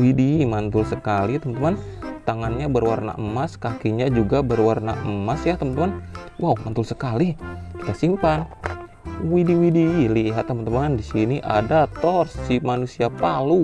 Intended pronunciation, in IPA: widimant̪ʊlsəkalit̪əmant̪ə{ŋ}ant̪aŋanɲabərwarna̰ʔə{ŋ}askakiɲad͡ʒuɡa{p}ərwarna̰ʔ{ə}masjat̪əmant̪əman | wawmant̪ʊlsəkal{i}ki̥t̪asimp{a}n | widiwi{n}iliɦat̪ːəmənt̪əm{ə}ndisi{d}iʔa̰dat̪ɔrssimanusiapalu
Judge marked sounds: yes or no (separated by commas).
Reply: no, no, no, yes, yes, yes, no, no, no